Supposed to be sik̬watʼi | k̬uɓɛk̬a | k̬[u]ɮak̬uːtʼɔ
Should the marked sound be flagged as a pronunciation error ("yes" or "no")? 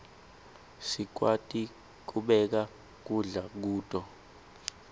no